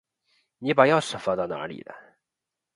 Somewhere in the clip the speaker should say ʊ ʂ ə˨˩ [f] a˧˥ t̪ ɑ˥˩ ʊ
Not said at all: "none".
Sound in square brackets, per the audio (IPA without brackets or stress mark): f